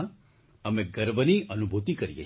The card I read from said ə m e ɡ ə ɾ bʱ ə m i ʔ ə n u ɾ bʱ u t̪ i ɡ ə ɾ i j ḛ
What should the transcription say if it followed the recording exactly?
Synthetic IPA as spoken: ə m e ɡ ə ɾ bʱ ə n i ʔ ə n u bʱ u t̪ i k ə ɾ i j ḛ